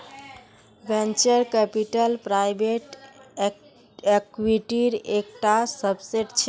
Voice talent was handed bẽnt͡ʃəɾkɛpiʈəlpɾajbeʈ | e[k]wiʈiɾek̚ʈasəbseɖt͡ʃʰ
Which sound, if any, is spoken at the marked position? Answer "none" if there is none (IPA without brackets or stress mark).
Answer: k